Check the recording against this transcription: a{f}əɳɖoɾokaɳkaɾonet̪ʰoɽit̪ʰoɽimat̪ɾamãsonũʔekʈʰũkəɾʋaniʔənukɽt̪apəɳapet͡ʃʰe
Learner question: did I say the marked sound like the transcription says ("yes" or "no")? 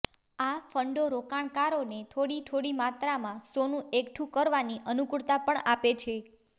yes